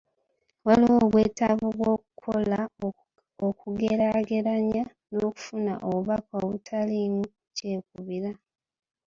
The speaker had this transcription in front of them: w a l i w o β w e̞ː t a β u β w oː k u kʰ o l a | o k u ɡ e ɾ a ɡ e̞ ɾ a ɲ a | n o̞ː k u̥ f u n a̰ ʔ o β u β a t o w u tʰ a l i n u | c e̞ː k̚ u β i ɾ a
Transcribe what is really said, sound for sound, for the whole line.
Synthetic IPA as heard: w a l i w o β w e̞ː t a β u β w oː k u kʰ o l a | o k u ɡ e ɾ a ɡ e̞ ɾ a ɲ a | n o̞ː k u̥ f u n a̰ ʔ o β u β a k o β u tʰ a l i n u | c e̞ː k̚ u β i ɾ a

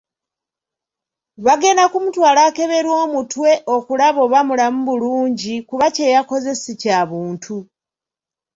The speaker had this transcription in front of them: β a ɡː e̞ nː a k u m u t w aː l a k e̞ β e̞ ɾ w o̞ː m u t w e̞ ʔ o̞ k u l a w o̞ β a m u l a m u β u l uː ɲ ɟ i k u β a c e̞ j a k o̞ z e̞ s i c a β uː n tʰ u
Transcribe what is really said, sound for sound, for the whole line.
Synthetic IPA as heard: β a ɡ e̞ n a k u m u t w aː l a k e̞ β e̞ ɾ w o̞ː m u t w e̞ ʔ o̞ k u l a β o̞ β a m u l a m u β u l uː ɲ ɟ i k u β a c e̞ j a k o̞ z e̞ s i c a β uː n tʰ u

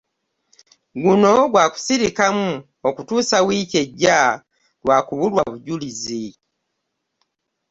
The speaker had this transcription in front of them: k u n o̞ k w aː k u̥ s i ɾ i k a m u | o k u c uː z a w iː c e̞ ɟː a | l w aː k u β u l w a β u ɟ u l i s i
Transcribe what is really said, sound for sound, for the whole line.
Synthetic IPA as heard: ɡ u n o̞ ɡ w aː k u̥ s i ɾ i k a m u | o k u t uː s a w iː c e̞ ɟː a | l w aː k u β u l w a β u ɟ u l i z i

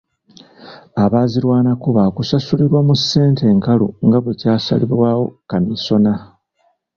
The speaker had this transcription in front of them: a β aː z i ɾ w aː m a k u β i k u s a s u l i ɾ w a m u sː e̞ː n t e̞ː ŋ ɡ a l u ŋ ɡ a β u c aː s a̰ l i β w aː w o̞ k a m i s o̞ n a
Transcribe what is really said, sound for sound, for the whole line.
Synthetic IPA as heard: a β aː z i ɾ w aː n a k u β a k u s a s u l i ɾ w a m u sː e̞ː n t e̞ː ŋ k a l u ŋ ɡ a β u c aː s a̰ l i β w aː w o̞ k a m i s o̞ n a

